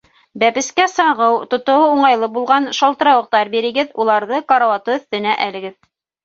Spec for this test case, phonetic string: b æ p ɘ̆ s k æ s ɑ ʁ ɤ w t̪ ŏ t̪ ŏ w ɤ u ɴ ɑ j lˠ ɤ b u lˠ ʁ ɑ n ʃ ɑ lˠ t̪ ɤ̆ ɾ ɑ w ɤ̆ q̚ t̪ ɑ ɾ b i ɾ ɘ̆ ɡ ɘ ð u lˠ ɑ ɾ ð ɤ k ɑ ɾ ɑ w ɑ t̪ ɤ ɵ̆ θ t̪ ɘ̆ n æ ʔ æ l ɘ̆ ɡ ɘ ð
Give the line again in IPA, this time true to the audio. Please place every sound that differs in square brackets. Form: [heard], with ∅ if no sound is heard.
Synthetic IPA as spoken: b æ p ɘ̆ s k æ s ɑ ʁ ɤ w t̪ ŏ t̪ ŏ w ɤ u ɴ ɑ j lˠ ɤ b u lˠ ʁ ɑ n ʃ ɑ lˠ t̪ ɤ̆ ɾ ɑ w ɤ̆ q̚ t̪ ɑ ɾ b i ɾ ɘ̆ ɡ ɘ ð u lˠ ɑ ɾ ð ɤ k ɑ ɾ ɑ w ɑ t̪ ɤ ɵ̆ θ t̪ ɘ̆ n æ ʔ æ l ɘ̆ ɡ ɘ ð